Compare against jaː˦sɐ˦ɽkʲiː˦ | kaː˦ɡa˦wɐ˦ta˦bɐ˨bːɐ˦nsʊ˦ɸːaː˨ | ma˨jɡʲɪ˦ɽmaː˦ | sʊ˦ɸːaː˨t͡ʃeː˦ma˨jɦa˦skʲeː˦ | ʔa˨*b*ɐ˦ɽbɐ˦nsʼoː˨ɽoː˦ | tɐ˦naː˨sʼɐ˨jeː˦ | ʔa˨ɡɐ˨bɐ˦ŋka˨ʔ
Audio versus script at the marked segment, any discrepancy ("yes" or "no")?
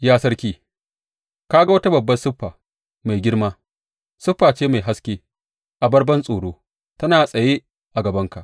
no